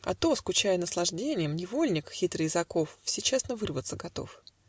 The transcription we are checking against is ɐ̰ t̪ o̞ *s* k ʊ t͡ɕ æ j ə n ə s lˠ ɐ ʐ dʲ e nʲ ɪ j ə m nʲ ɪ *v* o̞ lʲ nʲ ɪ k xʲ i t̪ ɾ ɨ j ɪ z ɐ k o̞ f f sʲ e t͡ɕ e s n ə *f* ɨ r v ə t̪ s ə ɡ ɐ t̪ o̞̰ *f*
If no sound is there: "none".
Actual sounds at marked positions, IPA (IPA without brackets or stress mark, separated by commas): s, v, v, f